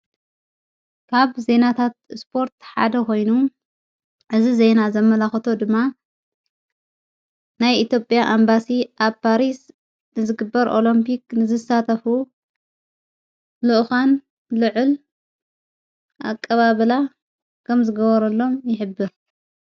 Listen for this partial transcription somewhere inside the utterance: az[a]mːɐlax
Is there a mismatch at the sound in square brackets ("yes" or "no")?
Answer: yes